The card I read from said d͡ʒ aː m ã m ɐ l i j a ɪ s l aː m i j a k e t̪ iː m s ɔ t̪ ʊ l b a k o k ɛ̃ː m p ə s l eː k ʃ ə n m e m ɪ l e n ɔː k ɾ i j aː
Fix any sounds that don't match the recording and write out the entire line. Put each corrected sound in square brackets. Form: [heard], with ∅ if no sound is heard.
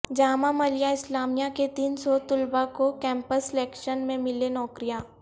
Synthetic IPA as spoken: d͡ʒ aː m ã m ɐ l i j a ɪ s l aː m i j a k e t̪ iː [n] s ɔ t̪ ʊ l b a k o k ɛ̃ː m p ə s l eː k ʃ ə n m [ẽ] m ɪ l e n ɔː k ɾ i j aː

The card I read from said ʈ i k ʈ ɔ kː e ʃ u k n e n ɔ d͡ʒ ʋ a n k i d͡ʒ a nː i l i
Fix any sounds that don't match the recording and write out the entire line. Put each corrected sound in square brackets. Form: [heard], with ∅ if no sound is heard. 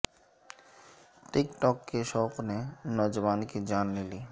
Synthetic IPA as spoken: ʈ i k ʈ ɔ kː e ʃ [ɔ] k n e n ɔ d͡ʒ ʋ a n k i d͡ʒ a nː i l i

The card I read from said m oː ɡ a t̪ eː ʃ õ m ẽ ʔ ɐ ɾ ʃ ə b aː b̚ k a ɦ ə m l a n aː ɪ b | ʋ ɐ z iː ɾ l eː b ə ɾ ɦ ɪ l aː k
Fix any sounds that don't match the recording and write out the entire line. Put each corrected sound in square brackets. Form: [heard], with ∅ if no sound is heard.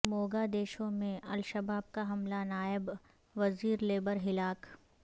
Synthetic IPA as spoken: m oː ɡ a [d̪] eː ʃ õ m ẽ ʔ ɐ [l] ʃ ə b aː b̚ k a ɦ [ɐ] m l a n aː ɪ b | ʋ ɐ z iː ɾ l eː b ə ɾ ɦ ɪ l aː k

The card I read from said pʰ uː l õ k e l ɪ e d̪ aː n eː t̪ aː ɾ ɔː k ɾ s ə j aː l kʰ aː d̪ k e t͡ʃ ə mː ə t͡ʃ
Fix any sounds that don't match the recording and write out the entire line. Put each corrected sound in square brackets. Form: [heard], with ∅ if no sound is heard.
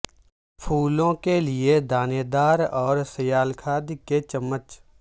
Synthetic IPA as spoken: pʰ uː l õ k e l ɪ e d̪ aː n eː [d̪] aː ɾ ɔː [∅] ɾ s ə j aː l kʰ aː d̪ k e t͡ʃ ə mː ə t͡ʃ

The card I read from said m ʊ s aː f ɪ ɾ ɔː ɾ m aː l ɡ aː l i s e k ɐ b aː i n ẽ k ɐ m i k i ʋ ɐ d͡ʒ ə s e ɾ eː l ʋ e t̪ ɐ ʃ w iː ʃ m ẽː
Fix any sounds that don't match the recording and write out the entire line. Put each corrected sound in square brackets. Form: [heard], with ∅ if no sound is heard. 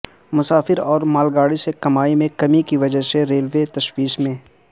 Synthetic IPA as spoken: m ʊ s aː f ɪ ɾ ɔː ɾ m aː l ɡ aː [ɽ] i s e k ɐ [m] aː i [m] ẽ k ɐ m i k i ʋ ɐ d͡ʒ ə s e ɾ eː l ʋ e t̪ ɐ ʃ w iː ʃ m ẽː

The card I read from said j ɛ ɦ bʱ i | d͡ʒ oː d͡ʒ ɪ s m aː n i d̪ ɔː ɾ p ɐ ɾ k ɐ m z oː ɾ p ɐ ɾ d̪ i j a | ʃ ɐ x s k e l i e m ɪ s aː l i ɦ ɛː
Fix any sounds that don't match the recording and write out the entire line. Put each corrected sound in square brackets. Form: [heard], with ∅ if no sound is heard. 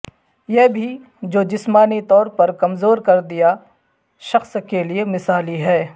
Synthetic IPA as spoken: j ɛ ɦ bʱ i | d͡ʒ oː d͡ʒ ɪ s m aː n i [t̪] ɔː ɾ p ɐ ɾ k ɐ m z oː ɾ [k] ɐ ɾ d̪ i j a | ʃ ɐ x s k e l i e m ɪ s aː l i ɦ ɛː

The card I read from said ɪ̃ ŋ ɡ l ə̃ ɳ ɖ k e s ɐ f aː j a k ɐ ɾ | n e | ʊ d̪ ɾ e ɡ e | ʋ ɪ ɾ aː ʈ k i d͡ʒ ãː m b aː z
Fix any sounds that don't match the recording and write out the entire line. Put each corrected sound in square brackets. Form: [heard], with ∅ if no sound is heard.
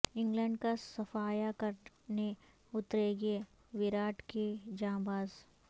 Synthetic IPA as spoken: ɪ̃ ŋ ɡ l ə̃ ɳ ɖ k [a] s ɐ f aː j a k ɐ ɾ | n e | ʊ [t̪] ɾ e ɡ e | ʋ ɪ ɾ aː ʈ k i d͡ʒ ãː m b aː z

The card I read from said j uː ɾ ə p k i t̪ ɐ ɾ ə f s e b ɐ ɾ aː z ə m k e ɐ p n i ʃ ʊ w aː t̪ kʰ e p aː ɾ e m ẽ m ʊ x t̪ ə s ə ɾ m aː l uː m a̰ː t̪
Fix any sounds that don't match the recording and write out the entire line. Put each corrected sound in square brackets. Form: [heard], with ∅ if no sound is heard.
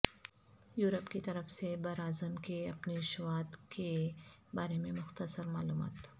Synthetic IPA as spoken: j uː ɾ ə p k i t̪ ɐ ɾ ə f s e b ɐ ɾ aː z ə m k e ɐ p n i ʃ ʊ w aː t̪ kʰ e [b] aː ɾ e m ẽ m ʊ x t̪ ə s ə ɾ m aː l uː m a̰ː t̪

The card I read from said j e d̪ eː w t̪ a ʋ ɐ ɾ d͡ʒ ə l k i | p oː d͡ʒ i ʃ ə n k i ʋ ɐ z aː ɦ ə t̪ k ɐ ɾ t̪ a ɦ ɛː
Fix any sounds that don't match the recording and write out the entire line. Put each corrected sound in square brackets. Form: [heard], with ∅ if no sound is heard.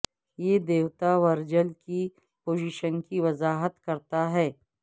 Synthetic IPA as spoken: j e d̪ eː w t̪ a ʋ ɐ ɾ d͡ʒ ə l k i | p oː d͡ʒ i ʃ ə n k i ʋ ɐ z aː ɦ ə t̪ k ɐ ɾ t̪ a ɦ ɛː

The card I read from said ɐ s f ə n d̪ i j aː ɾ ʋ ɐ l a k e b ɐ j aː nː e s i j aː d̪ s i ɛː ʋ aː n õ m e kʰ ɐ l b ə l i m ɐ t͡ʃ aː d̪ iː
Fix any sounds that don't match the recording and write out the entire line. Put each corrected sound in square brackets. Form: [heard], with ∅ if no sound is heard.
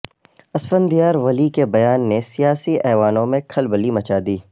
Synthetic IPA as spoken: ɐ s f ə n d̪ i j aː ɾ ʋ ɐ l [i] k e b ɐ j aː nː e s i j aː [∅] s i ɛː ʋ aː n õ m [ẽ] kʰ ɐ l b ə l i m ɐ t͡ʃ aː d̪ iː

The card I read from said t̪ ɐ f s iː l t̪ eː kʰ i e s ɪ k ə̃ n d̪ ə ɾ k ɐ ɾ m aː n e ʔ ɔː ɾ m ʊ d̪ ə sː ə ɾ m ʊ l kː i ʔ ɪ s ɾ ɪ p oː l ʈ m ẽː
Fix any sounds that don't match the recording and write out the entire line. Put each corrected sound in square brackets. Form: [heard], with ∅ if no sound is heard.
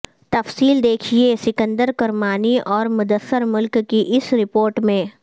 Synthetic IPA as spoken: t̪ ɐ f s iː l [d̪] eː kʰ i e s ɪ k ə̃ n d̪ ə ɾ k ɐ ɾ m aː n [i] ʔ ɔː ɾ m ʊ d̪ ə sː ə ɾ m ʊ l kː i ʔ ɪ s ɾ ɪ p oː [ɾ] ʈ m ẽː

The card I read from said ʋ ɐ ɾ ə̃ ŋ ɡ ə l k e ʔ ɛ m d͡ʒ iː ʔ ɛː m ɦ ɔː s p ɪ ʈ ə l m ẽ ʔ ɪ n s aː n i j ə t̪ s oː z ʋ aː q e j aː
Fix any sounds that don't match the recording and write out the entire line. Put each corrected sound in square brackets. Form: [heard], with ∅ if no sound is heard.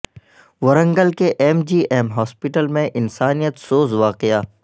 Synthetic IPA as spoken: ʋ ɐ ɾ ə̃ ŋ ɡ ə l k e ʔ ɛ m d͡ʒ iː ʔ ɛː m ɦ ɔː s p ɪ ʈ ə l m ẽ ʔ ɪ n s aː n i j ə t̪ s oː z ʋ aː q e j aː

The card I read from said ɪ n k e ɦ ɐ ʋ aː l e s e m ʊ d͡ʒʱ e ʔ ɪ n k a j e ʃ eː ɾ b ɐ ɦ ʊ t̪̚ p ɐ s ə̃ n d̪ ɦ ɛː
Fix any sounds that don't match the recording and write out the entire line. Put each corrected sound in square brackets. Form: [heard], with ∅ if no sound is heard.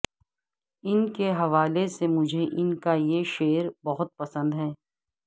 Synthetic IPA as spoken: ɪ n k e ɦ ɐ ʋ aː l e s e m ʊ d͡ʒʱ e ʔ ɪ n k a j e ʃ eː ɾ b ɐ ɦ ʊ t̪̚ p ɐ s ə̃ n d̪ ɦ ɛː

